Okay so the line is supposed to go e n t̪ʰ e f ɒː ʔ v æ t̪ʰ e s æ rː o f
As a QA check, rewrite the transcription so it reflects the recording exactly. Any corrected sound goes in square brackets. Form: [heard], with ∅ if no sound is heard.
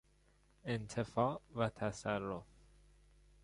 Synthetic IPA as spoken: e n t̪ʰ e f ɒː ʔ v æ t̪ʰ [æ] s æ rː o f